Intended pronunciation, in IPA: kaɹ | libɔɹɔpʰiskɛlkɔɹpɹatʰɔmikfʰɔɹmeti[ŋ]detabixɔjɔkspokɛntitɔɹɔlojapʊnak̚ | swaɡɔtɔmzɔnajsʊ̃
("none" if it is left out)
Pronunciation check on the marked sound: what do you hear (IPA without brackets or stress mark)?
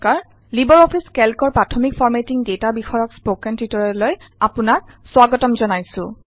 ŋ